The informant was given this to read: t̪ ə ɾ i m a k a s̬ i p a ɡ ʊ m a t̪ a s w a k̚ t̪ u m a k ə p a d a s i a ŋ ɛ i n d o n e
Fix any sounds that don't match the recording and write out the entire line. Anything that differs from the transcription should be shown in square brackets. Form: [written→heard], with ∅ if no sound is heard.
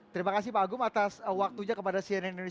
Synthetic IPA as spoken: t̪ ə ɾ i m a k a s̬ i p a ɡ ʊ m a t̪ a s w a k̚ t̪ u [m→ɲ] a k ə p a d a s i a [ŋ→n] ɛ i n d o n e